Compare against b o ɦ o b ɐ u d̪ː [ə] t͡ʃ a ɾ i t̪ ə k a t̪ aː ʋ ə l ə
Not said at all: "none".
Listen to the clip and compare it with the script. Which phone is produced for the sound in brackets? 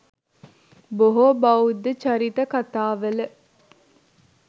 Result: ə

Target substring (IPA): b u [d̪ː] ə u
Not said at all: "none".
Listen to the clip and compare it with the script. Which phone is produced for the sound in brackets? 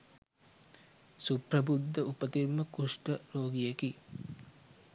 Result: d̪ː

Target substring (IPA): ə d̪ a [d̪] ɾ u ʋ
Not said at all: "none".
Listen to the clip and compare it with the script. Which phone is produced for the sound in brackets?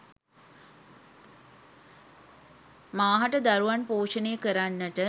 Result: none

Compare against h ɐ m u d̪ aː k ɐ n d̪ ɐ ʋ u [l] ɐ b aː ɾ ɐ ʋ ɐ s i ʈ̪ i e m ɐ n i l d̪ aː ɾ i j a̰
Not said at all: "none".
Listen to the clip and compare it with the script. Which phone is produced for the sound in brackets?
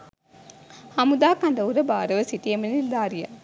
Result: ɾ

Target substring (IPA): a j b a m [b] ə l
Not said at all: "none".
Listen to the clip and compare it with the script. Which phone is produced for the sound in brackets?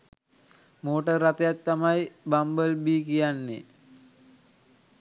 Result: b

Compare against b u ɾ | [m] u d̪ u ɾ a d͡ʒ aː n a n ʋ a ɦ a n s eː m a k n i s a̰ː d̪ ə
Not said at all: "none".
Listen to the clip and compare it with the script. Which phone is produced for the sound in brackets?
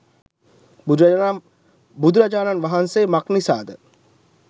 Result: b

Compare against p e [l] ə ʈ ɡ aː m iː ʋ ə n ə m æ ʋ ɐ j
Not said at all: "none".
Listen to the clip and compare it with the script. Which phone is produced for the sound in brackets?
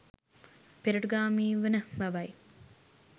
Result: ɾ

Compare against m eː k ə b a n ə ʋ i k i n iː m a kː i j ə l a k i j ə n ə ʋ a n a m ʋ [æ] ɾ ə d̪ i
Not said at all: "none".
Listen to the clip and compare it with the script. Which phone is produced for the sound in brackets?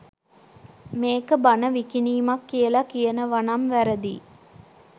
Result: æ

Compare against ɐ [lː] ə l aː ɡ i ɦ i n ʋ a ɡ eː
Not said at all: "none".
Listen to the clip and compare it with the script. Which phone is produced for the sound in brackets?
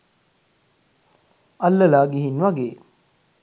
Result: lː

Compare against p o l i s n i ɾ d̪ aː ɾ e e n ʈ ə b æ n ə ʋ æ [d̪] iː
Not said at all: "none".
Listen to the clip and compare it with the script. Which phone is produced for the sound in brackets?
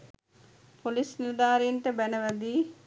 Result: d̪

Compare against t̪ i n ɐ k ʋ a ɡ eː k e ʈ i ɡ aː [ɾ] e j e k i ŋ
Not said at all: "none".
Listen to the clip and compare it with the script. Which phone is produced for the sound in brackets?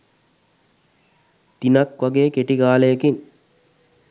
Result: l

